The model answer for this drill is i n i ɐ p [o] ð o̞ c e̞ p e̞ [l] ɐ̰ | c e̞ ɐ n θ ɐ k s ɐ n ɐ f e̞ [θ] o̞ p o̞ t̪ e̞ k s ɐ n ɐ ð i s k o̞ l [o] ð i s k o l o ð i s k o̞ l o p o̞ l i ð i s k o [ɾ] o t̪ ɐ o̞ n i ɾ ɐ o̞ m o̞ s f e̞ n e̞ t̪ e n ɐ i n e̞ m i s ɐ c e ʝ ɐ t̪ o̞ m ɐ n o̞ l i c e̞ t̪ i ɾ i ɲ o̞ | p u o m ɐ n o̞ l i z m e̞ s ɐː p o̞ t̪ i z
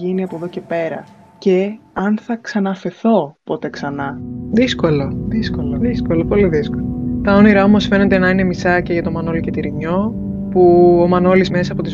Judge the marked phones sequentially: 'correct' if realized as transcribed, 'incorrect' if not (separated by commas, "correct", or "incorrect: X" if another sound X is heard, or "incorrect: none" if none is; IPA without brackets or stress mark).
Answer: correct, incorrect: ɾ, correct, correct, incorrect: l